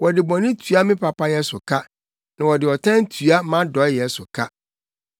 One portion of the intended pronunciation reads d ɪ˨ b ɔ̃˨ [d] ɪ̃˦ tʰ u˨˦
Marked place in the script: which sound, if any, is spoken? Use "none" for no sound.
n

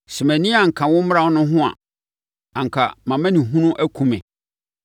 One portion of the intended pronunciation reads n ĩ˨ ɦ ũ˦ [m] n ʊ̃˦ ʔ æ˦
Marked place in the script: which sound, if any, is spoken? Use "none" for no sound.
none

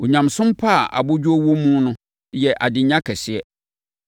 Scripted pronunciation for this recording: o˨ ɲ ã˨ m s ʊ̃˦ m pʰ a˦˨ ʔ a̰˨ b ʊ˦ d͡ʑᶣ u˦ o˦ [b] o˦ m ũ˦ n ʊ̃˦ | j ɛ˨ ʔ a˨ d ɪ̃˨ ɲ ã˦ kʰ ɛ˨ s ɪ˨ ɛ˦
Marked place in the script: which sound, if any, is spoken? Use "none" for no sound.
w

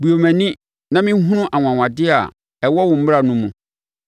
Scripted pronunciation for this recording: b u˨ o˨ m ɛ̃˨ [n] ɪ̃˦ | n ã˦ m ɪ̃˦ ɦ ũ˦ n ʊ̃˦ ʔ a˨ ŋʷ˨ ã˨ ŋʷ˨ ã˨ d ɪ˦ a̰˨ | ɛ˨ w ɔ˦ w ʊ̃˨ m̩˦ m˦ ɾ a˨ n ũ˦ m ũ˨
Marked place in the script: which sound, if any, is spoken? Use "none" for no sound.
n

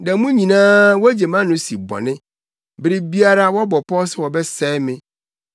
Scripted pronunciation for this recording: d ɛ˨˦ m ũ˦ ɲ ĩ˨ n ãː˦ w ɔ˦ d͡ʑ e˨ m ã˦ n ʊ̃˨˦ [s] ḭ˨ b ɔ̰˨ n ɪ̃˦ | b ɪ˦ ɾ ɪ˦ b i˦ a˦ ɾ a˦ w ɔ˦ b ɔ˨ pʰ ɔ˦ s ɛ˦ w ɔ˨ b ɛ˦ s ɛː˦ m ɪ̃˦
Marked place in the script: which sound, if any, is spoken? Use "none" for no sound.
s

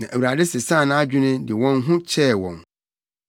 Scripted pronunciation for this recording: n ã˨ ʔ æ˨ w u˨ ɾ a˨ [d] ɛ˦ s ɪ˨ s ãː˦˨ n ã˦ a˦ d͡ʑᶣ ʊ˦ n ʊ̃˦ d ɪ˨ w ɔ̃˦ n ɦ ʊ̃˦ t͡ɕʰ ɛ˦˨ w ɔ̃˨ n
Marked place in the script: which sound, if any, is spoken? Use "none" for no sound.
d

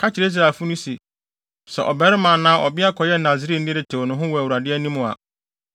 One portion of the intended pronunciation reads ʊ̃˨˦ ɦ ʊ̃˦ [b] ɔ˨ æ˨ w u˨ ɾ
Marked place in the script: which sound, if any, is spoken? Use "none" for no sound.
w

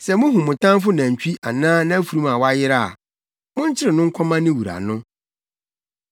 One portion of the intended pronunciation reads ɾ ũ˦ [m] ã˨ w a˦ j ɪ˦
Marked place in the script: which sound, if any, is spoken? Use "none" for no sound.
m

